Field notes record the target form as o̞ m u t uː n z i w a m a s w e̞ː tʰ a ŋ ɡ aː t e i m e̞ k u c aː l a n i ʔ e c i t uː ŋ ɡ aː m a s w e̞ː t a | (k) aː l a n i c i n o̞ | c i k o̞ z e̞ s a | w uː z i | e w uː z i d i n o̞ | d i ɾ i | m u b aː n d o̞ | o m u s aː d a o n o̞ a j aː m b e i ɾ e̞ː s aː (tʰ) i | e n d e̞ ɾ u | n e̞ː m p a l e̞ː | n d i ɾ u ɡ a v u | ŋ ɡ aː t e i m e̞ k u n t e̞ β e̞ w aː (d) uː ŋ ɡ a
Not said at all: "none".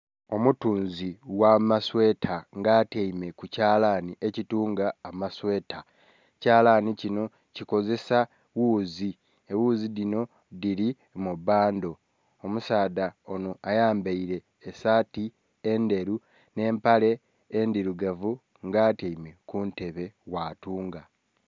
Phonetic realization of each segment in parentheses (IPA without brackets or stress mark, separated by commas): c, t, t